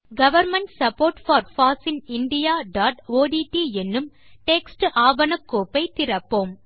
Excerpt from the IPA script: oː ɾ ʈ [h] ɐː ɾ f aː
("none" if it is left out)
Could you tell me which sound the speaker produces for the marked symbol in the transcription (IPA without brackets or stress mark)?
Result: f